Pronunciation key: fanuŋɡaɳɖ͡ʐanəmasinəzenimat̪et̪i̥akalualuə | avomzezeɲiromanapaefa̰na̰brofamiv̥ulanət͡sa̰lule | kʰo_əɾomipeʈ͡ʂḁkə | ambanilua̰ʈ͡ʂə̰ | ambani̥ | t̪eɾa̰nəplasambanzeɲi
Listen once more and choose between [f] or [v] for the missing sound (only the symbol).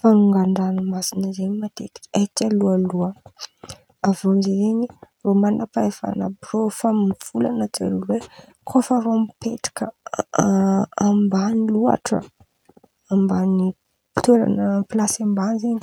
f